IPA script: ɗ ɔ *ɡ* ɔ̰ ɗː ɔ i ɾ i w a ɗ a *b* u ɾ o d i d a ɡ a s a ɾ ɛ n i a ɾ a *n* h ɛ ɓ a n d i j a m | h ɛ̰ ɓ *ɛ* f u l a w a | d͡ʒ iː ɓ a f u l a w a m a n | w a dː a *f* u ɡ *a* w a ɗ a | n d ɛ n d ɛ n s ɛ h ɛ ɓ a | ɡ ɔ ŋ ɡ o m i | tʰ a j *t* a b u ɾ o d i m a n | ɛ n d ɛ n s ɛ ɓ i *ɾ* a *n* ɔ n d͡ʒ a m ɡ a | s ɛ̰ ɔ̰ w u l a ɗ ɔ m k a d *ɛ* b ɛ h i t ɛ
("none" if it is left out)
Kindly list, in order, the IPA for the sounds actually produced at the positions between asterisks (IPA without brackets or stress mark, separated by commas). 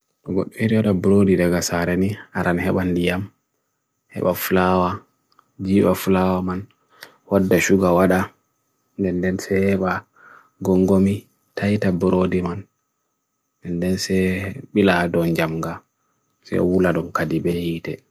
ɡ, b, n, a, ʃ, a, t, l, d, i